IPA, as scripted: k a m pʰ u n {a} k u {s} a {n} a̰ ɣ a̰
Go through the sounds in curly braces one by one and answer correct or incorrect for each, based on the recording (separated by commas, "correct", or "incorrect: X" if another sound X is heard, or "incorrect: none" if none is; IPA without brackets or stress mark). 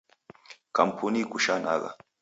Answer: incorrect: i, incorrect: ʃ, correct